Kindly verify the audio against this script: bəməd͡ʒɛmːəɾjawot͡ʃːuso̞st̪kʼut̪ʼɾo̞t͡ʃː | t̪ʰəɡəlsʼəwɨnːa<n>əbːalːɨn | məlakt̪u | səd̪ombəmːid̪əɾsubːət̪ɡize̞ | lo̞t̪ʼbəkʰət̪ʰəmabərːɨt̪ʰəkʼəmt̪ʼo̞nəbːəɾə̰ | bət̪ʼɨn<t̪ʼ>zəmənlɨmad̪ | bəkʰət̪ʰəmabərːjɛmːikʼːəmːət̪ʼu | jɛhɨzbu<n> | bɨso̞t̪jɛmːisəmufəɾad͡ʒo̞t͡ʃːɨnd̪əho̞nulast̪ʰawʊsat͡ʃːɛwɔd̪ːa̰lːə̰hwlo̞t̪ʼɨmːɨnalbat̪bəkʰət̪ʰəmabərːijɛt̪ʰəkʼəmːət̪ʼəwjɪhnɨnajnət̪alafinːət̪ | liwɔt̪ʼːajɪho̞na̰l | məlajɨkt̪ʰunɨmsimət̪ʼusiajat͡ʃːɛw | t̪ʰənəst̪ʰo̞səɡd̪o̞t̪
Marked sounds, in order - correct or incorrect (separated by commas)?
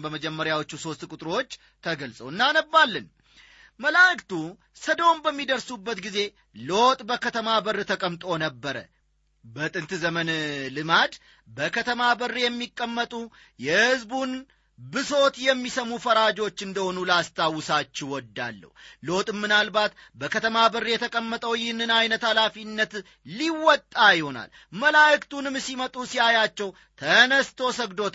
correct, incorrect, correct